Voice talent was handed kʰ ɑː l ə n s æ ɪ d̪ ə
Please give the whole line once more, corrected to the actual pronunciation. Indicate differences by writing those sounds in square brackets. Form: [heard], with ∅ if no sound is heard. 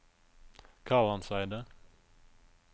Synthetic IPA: kʰ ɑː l [ɑ] n s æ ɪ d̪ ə